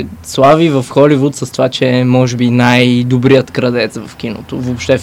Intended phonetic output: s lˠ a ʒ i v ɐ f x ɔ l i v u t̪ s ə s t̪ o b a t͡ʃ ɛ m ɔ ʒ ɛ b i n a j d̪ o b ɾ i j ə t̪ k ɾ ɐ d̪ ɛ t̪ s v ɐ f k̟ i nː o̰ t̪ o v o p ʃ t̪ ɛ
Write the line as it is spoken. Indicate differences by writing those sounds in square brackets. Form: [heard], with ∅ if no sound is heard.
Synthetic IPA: s lˠ a [v] i v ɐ f x ɔ l i v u t̪ s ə s t̪ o [v] a t͡ʃ ɛ m ɔ ʒ ɛ b i n a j d̪ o b ɾ i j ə t̪ k ɾ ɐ d̪ ɛ t̪ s v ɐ f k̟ i [n] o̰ t̪ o v o p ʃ t̪ ɛ